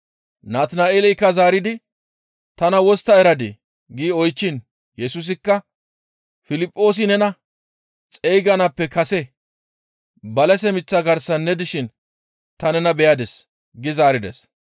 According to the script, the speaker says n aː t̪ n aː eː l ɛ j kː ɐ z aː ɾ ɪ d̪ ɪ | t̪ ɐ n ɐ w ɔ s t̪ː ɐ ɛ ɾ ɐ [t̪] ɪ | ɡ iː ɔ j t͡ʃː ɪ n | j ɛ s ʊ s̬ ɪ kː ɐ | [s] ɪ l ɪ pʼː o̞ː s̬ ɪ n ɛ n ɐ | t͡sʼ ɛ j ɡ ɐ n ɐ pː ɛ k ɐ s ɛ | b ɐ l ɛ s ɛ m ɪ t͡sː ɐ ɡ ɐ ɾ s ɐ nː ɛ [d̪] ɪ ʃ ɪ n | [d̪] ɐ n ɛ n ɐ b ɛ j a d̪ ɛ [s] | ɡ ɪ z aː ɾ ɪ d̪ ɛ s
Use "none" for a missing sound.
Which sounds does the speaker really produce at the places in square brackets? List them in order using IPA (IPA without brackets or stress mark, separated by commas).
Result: d̪, f, d̪, t̪, s